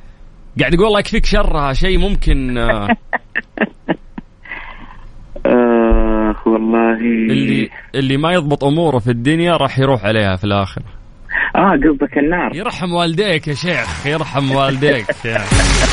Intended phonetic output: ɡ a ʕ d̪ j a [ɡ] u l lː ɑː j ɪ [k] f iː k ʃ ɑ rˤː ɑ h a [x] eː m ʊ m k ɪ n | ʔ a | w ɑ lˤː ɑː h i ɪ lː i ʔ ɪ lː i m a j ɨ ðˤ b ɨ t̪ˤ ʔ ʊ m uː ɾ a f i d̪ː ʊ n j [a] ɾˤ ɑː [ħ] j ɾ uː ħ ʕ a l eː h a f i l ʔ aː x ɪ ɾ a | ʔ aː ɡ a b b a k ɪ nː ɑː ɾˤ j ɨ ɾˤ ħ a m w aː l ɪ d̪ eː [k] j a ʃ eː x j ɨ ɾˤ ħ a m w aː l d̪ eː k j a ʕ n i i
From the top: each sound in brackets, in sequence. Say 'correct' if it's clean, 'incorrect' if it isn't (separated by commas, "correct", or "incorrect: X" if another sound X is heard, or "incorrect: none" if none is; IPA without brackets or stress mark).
correct, correct, incorrect: ʃ, correct, correct, correct